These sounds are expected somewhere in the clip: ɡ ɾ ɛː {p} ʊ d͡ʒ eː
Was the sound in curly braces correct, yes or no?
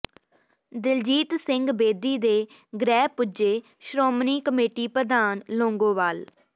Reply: yes